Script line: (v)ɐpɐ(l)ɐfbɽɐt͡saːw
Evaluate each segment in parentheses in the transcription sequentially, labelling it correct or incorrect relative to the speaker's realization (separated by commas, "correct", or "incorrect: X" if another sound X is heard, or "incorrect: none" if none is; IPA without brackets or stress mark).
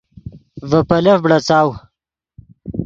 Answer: correct, correct